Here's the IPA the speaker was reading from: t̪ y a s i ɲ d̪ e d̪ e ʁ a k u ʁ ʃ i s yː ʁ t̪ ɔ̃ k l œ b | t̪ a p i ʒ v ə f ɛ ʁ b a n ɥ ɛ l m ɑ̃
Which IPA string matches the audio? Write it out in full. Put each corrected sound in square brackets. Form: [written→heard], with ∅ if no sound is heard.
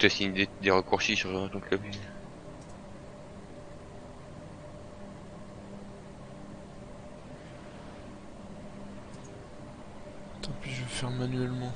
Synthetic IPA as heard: t̪ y a s i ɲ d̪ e d̪ e ʁ [a→ə] k u ʁ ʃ i s [yː→y] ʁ t̪ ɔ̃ k l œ b | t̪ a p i ʒ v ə f ɛ ʁ [b→m] a n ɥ ɛ l m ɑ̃